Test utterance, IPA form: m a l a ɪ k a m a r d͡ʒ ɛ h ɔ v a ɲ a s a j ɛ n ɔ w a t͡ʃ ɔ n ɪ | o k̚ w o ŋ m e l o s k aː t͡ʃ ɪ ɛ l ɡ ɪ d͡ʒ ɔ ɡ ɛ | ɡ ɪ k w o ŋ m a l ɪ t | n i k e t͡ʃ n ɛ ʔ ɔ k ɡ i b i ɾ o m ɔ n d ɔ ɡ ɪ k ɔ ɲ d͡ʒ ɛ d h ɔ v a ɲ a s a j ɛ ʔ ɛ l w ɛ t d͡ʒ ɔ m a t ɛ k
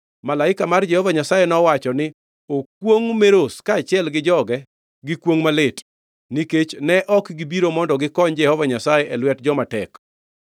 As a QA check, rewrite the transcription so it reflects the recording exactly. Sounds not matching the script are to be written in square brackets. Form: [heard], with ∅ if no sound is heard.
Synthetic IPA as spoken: m a l a ɪ k a m a r d͡ʒ ɛ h ɔ v a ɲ a s a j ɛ n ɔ w a t͡ʃ ɔ n ɪ | o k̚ w o ŋ m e [ɾ] o s k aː t͡ʃ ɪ ɛ l ɡ ɪ d͡ʒ ɔ ɡ ɛ | ɡ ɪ k w o ŋ m a l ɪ t | n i k e t͡ʃ n ɛ ʔ ɔ k ɡ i b i ɾ o m ɔ n d ɔ ɡ ɪ k ɔ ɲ d͡ʒ ɛ [∅] h ɔ v a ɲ a s a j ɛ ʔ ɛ l w ɛ t d͡ʒ ɔ m a t ɛ k